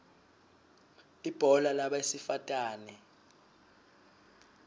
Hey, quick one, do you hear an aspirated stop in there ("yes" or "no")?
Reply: no